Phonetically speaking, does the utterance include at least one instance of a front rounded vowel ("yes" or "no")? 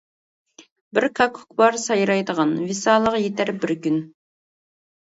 yes